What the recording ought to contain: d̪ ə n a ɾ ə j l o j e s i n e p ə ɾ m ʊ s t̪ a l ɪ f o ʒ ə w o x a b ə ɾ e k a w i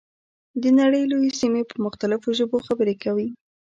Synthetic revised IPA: d̪ ə n a ɽ ə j l o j e s i m e p ə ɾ m ʊ x t̪ a l ɪ f o ʒ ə b o x a b ə ɾ e k a w i